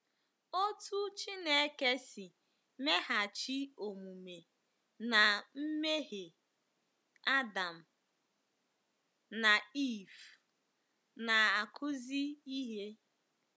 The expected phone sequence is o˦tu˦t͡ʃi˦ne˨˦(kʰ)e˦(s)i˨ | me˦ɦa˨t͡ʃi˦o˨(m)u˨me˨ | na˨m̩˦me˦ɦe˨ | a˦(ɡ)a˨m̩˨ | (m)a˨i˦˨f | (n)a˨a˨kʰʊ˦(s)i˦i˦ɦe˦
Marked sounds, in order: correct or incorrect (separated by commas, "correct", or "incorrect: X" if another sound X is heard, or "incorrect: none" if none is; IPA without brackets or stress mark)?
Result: incorrect: k, correct, correct, incorrect: d, incorrect: n, correct, incorrect: z